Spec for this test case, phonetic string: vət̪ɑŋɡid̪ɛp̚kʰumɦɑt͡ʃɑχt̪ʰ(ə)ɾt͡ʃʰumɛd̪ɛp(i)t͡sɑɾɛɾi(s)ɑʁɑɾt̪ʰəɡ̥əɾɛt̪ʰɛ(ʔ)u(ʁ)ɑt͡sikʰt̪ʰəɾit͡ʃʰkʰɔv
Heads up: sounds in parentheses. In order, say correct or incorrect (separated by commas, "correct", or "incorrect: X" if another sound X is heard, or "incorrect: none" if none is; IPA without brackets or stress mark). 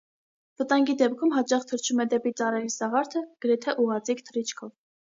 correct, correct, correct, correct, correct